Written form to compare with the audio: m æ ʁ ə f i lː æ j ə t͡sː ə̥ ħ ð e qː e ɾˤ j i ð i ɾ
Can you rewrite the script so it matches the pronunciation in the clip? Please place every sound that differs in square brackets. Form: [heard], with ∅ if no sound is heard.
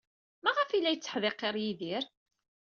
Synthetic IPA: m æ ʁ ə f i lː æ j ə t͡sː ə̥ ħ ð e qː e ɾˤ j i ð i ɾ